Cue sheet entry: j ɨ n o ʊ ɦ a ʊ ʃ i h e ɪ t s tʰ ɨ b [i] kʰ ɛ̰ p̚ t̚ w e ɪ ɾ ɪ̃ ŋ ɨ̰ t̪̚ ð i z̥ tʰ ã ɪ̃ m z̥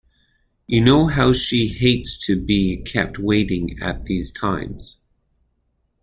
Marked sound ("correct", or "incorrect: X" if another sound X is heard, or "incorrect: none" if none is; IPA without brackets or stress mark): correct